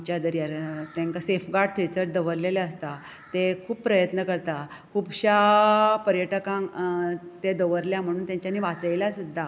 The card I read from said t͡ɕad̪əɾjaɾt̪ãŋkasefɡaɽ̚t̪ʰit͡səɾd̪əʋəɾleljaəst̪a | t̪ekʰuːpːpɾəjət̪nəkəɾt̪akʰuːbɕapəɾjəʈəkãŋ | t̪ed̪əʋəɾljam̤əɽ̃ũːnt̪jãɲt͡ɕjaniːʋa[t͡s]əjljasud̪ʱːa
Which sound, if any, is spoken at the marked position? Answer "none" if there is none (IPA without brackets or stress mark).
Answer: t͡s